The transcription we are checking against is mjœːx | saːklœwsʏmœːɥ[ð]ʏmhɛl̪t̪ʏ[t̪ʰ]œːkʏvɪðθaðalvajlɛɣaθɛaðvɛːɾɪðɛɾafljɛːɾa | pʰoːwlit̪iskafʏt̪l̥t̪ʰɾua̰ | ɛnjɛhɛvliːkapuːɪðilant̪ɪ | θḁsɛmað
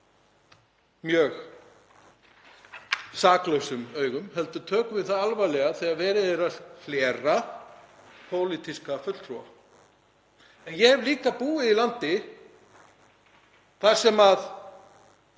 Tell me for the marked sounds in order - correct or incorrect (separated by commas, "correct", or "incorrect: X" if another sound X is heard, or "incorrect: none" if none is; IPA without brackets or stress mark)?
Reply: incorrect: ɣ, correct